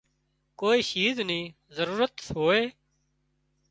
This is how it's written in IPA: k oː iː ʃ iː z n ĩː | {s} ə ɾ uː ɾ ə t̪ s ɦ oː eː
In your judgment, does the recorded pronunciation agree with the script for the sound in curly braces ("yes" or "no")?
no